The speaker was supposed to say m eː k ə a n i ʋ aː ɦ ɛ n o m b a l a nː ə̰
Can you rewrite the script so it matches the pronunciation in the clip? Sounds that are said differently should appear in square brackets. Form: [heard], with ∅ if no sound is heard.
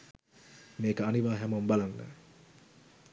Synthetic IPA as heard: m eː k ə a n i ʋ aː ɦ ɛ [m] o m b a l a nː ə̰